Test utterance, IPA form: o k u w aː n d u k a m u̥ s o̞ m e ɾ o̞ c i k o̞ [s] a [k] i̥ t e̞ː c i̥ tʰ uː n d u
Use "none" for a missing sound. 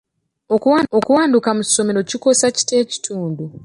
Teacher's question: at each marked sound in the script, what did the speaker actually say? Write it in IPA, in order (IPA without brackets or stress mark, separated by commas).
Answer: s, c